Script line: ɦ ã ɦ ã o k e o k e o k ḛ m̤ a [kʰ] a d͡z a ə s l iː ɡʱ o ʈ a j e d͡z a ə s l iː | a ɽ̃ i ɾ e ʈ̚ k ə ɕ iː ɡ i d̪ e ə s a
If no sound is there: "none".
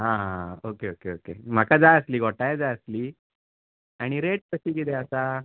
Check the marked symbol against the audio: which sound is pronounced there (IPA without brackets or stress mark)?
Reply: k